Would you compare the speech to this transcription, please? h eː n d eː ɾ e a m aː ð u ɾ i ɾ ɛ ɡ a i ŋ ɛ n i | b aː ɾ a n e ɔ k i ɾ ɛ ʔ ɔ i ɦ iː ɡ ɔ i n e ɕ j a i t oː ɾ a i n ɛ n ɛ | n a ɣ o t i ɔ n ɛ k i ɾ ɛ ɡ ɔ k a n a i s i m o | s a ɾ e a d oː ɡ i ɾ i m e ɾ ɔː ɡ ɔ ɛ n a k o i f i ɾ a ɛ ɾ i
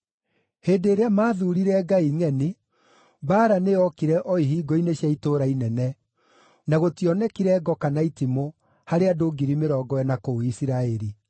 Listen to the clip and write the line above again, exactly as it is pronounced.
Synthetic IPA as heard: h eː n d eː ɾ e a m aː ð u ɾ i ɾ ɛ ɡ a i ŋ ɛ n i | b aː ɾ a n e ɔ k i ɾ ɛ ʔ ɔ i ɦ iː ɡ ɔ i n e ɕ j a i t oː ɾ a i n ɛ n ɛ | n a ɣ o t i ɔ n ɛ k i ɾ ɛ ɡ ɔ k a n a i t i m o | h a ɾ e a d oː ɡ i ɾ i m e ɾ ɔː ɡ ɔ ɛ n a k o i s i ɾ a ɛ ɾ i